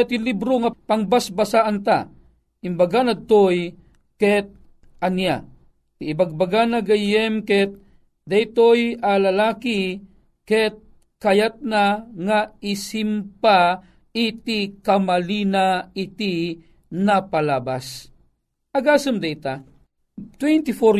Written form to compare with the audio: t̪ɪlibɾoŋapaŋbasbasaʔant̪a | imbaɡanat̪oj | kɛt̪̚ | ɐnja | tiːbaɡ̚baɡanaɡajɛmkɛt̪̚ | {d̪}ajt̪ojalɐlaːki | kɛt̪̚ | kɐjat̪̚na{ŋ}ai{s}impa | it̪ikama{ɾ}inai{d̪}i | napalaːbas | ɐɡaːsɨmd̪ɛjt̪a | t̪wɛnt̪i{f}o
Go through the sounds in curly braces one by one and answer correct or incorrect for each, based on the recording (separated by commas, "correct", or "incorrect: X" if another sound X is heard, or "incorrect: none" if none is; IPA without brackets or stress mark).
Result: correct, correct, correct, incorrect: l, incorrect: t̪, correct